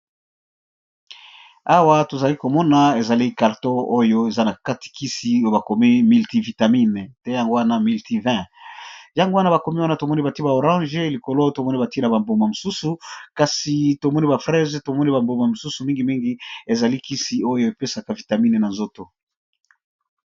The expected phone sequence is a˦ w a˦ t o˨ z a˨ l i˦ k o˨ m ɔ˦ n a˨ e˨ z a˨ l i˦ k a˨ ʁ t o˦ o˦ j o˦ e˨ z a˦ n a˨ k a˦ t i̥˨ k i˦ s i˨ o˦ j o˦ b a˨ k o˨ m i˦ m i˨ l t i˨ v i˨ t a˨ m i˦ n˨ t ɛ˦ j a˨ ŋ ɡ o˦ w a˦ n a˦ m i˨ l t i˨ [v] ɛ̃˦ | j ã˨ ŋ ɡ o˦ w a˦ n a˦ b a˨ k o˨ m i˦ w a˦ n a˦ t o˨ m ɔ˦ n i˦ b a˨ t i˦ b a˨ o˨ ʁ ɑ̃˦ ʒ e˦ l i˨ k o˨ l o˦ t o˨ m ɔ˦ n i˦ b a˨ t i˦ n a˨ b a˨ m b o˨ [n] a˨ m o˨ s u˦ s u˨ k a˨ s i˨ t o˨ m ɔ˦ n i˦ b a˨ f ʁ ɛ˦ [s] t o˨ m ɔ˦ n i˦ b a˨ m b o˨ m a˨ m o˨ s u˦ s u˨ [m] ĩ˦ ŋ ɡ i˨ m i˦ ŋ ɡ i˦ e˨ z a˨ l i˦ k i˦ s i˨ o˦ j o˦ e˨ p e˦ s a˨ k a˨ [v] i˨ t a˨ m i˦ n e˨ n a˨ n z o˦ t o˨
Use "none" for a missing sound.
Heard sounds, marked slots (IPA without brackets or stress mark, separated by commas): v, m, z, m, v